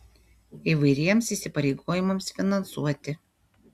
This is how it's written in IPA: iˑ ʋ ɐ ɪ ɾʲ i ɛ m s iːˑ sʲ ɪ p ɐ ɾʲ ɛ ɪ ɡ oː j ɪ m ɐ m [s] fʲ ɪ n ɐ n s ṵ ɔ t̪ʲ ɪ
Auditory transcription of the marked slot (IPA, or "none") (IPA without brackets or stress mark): s